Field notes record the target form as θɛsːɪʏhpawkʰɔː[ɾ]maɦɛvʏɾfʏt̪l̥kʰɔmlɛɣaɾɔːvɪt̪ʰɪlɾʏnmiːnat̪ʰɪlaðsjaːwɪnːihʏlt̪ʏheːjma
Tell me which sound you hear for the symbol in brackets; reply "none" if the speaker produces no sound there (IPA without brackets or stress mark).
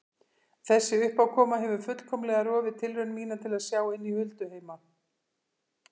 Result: none